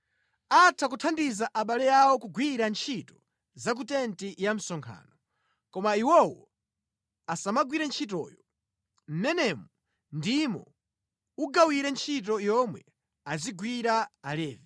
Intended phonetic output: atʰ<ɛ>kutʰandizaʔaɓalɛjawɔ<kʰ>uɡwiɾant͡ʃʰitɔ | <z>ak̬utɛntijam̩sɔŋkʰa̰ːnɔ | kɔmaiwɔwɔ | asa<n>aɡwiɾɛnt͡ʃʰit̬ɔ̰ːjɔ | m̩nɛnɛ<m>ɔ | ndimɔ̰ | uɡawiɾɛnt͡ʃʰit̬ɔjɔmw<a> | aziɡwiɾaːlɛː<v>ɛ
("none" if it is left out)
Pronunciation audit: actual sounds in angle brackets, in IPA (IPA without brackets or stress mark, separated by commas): a, k, z, m, m, ɛ, v